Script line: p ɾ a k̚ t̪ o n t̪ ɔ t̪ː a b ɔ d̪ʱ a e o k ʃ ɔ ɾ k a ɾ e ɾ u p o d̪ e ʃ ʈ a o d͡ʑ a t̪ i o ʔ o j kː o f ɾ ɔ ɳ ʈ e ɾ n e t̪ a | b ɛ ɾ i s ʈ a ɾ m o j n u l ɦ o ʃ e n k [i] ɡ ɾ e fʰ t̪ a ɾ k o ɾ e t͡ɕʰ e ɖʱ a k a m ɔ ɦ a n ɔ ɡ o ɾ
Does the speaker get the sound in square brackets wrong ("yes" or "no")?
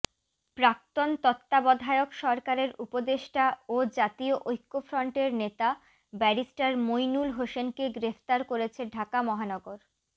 yes